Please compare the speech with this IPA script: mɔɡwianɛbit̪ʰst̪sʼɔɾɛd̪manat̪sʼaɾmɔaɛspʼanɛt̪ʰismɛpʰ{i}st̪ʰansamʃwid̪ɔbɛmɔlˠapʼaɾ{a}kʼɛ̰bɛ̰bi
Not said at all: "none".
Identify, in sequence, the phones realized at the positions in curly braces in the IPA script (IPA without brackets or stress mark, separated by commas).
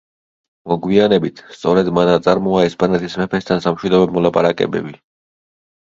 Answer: ɛ, a